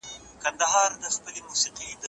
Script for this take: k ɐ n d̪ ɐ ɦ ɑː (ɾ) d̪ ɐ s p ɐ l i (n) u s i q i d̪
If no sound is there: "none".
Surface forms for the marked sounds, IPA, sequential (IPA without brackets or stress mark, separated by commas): ɾ, m